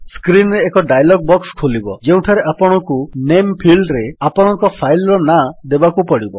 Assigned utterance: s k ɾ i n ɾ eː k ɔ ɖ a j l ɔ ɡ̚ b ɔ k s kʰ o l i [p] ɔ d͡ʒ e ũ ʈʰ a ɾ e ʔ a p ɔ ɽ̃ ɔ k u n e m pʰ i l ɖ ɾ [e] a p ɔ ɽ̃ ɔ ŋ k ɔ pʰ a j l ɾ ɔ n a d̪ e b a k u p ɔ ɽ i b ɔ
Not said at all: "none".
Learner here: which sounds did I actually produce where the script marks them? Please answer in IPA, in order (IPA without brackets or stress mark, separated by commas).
b, e